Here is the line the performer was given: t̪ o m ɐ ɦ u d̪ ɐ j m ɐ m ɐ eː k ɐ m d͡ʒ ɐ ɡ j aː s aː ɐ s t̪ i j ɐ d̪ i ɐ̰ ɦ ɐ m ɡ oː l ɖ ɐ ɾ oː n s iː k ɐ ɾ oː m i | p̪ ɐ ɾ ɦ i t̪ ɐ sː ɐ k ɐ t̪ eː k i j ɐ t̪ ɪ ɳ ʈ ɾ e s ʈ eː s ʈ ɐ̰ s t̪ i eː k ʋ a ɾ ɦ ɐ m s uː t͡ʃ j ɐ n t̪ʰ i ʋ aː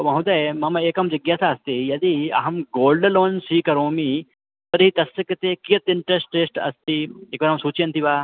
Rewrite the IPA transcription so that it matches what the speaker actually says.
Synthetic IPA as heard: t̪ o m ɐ ɦ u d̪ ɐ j m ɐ m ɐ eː k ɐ m d͡ʒ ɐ ɡ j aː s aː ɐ s t̪ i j ɐ d̪ i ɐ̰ ɦ ɐ m ɡ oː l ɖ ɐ l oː n s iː k ɐ ɾ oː m i | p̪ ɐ ɾ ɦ i t̪ ɐ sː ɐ k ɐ t̪ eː k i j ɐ t̪ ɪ ɳ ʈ ɾ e s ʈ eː s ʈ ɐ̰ s t̪ i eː k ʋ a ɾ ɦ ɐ m s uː t͡ʃ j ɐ n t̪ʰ i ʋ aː